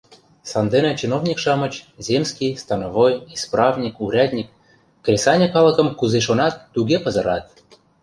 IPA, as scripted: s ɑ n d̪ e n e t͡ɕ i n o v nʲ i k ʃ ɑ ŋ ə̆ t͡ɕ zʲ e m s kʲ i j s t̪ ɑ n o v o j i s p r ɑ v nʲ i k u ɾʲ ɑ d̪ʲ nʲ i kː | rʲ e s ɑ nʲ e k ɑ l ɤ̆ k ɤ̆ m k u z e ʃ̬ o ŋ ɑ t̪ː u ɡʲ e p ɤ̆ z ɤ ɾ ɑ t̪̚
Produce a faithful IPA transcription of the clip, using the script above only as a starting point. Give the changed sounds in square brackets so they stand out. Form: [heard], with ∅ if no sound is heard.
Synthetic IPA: s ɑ n d̪ e n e t͡ɕ i n o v nʲ i k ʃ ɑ [m] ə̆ t͡ɕ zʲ e m s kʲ i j s t̪ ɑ n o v o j i s p r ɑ v nʲ i k u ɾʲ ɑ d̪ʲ nʲ i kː | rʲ e s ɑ nʲ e k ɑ l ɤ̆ k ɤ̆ m k u z e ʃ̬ o [n] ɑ t̪ː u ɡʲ e p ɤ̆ z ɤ ɾ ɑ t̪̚